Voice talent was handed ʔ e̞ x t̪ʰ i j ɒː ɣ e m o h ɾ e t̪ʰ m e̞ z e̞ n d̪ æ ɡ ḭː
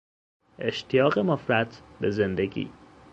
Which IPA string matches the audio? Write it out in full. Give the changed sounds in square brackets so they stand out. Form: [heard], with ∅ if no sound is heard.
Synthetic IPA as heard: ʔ e̞ [ʃ] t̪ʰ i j ɒː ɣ e m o [f] ɾ [æ] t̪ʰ [b] e̞ z e̞ n d̪ [e] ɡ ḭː